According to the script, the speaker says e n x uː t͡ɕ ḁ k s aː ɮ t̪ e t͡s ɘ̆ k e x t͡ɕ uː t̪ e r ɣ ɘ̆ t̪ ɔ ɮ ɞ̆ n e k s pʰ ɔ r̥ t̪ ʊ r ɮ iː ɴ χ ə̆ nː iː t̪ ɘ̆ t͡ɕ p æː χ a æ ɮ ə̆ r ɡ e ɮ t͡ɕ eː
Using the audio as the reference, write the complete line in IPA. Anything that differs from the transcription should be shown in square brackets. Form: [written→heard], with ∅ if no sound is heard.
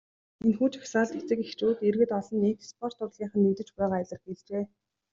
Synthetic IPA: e n x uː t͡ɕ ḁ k s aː ɮ t̪ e t͡s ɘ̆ k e x t͡ɕ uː t̪ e r ɣ ɘ̆ t̪ ɔ ɮ ɞ̆ n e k s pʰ ɔ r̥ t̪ ʊ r ɮ iː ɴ χ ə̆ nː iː t̪ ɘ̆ t͡ɕ p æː [χ→ʁ] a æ ɮ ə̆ r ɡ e ɮ t͡ɕ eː